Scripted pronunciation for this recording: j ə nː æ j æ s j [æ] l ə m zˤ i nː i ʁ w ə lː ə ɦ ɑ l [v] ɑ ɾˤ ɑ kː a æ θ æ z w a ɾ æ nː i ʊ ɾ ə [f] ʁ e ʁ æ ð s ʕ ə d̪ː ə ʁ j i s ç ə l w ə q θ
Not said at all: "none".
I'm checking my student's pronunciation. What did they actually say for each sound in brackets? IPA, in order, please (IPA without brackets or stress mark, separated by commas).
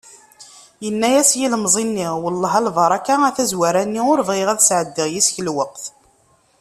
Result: i, v, v